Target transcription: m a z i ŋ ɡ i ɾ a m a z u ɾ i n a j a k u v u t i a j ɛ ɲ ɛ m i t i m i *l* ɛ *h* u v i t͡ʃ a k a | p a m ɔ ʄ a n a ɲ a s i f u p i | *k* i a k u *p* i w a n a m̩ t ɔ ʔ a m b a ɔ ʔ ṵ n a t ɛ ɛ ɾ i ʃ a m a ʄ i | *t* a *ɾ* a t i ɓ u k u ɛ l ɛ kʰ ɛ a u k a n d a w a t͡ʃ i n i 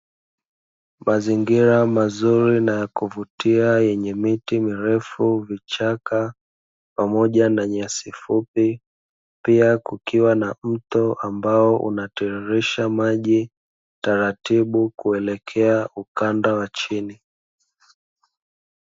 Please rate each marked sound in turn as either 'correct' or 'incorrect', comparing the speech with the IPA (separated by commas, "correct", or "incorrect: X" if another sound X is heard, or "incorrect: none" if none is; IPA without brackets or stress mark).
incorrect: ɾ, incorrect: f, incorrect: p, incorrect: k, correct, correct